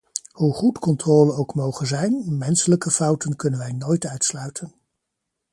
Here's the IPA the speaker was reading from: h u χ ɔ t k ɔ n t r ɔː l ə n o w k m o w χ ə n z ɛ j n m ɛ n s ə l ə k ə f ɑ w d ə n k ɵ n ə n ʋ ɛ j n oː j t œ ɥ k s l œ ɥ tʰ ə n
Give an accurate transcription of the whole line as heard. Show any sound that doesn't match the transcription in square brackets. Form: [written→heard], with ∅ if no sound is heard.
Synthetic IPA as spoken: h u χ [ɔ→u] t k ɔ n t r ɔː l ə n o w k m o w χ ə n z ɛ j n m ɛ n s ə l ə k ə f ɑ w [d→t] ə n k ɵ n ə n ʋ ɛ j n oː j t œ ɥ [k→t] s l œ ɥ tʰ ə n